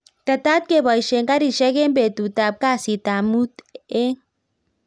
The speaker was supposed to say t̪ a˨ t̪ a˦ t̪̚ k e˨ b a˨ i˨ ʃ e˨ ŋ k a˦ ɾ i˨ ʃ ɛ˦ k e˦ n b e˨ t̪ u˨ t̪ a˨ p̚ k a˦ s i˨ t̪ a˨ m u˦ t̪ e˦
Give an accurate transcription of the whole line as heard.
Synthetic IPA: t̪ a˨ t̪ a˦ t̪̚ k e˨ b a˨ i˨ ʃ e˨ ŋ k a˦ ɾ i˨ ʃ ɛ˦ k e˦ m b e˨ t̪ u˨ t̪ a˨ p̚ k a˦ s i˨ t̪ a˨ m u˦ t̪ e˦